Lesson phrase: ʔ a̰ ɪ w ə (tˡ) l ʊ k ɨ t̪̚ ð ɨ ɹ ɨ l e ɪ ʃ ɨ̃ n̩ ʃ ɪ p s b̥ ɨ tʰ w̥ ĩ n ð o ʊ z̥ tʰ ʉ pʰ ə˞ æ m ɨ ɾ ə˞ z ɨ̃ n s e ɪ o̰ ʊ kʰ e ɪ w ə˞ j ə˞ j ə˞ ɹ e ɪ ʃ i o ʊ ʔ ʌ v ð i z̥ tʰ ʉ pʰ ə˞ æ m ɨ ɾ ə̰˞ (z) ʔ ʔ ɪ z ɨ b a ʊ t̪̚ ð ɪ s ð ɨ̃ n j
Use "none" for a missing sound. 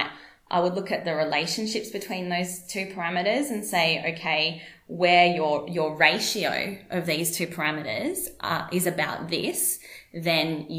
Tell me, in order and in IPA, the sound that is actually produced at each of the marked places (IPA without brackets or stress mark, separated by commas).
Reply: dˡ, z